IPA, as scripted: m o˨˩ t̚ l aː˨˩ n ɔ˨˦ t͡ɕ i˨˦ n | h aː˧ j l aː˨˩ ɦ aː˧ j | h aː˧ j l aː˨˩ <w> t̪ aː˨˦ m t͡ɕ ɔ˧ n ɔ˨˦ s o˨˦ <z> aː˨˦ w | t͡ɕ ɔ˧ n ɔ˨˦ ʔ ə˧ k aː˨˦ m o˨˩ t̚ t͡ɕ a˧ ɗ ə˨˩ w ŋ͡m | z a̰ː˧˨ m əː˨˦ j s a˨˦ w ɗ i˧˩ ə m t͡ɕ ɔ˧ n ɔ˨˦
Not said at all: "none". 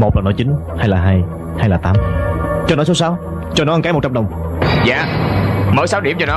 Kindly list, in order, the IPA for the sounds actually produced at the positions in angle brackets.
none, s

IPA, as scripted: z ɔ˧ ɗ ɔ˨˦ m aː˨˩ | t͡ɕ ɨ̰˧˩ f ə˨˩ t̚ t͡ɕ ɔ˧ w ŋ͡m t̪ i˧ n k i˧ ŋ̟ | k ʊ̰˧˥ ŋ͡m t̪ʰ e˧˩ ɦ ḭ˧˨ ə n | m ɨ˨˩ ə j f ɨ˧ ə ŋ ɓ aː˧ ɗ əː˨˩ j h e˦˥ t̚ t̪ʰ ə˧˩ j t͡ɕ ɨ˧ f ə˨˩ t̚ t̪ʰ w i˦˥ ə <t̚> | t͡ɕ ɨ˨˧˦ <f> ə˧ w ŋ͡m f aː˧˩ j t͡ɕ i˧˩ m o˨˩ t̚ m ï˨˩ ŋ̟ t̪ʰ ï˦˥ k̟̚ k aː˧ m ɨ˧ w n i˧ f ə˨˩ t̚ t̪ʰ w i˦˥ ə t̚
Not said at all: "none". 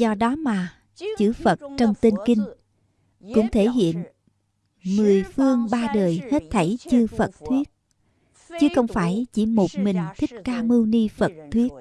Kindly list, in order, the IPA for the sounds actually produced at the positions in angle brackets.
t̚, x

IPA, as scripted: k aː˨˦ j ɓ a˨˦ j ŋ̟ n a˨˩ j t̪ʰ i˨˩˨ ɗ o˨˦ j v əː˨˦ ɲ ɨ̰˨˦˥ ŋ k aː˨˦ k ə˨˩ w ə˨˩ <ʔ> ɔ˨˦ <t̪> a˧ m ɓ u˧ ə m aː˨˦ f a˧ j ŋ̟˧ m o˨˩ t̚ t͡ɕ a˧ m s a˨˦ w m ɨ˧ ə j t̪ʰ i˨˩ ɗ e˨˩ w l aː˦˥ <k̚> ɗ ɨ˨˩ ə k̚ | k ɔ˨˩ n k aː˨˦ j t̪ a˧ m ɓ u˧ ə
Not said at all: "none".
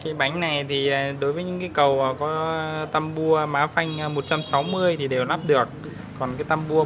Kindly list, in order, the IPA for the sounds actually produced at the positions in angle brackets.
k, t̪, p̚

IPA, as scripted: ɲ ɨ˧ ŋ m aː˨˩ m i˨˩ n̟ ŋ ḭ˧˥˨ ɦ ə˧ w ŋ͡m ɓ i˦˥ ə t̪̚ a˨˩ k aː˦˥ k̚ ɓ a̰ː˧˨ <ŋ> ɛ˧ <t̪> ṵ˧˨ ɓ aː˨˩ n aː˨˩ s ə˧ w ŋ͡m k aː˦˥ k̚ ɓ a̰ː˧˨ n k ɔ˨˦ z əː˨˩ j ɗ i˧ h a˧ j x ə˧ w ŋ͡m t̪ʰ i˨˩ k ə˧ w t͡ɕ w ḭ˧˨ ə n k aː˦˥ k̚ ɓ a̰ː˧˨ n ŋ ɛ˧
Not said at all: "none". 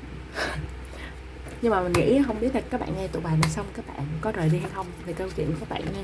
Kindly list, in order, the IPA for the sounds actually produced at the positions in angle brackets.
ŋ, t̪

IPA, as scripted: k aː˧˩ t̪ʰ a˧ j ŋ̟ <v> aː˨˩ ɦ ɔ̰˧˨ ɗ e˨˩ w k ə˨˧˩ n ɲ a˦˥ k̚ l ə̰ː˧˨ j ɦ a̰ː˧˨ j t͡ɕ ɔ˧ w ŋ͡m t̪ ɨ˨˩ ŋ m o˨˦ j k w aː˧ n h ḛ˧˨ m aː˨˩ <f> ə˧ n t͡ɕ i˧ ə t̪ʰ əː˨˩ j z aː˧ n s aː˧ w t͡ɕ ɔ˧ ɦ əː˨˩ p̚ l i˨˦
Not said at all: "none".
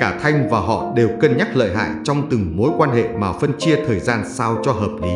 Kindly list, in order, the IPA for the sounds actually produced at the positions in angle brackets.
v, f

